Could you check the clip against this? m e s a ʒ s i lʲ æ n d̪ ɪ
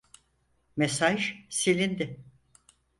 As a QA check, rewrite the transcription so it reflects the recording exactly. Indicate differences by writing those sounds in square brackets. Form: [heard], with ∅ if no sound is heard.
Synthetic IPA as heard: m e s a ʒ s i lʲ [i] n d̪ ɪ